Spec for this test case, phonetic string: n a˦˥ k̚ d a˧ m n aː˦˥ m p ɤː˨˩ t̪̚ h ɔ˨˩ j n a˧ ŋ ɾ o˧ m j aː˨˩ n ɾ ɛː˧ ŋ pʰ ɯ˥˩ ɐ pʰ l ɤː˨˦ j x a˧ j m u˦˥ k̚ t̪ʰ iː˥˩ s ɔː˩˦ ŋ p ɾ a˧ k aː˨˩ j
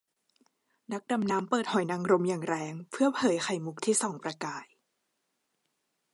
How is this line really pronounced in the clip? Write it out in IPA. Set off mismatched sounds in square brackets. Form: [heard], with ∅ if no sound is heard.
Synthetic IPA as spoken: n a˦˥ k̚ d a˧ m n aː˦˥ m p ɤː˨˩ t̪̚ h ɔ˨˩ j n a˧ ŋ ɾ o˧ m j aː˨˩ [ŋ] ɾ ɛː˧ ŋ pʰ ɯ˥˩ ɐ pʰ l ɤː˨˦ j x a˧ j m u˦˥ k̚ t̪ʰ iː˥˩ s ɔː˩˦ ŋ p ɾ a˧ k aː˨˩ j